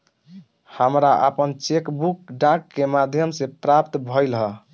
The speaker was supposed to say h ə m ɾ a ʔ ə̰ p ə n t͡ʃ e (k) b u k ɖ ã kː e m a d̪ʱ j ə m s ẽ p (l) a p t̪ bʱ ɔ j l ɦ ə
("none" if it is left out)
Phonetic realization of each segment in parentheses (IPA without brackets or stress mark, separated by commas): k, ɾ